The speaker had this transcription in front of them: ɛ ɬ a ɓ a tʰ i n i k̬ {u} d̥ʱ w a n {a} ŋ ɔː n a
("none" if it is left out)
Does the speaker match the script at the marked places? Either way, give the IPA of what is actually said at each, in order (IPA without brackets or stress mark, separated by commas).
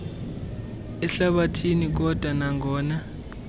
ɔ, a